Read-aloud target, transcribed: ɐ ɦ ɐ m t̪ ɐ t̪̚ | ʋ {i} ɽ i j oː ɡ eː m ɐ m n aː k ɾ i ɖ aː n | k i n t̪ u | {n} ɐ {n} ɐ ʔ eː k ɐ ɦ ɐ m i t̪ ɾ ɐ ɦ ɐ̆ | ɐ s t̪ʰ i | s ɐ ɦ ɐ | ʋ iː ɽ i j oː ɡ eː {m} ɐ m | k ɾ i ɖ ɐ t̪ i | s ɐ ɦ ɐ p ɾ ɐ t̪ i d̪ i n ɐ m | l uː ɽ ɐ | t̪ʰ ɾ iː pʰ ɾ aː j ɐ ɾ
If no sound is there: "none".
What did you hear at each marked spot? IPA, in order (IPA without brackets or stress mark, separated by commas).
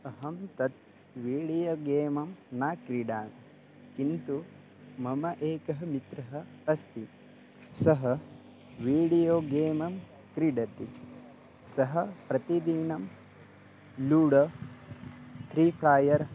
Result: iː, m, m, m